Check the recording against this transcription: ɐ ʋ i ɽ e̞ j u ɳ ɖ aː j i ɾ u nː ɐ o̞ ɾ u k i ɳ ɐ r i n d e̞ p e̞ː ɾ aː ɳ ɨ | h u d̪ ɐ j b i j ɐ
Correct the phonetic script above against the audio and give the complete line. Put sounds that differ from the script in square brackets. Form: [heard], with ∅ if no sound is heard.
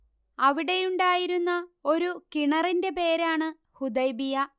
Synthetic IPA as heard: ɐ ʋ i ɽ e̞ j u ɳ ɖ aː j i ɾ u nː ɐ o̞ ɾ u k i ɳ ɐ r i n d e̞ p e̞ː ɾ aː ɳ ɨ | h u d̪ ɐ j b i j ɐ